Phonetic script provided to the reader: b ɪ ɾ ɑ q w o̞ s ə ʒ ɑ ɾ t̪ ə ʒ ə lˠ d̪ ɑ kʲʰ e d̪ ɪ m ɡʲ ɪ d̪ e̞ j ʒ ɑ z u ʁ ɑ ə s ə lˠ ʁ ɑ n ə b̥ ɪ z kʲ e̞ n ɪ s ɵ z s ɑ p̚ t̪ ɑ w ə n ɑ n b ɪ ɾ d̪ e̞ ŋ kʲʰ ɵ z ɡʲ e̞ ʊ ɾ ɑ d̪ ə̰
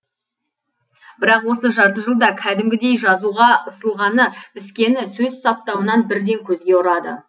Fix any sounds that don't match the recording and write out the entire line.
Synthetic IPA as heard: b ɪ ɾ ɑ q w o̞ s ə ʒ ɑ ɾ t̪ ə ʒ ə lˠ d̪ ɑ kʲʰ æ d̪ ɪ m ɡʲ ɪ d̪ e̞ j ʒ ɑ z u ʁ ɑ ə s ə lˠ ʁ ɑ n ə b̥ ɪ s kʲ e̞ n ɪ s ɵ z s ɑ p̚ t̪ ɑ w ə n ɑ n b ɪ ɾ d̪ e̞ ŋ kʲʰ ɵ z ɡʲ e̞ ʊ ɾ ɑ d̪ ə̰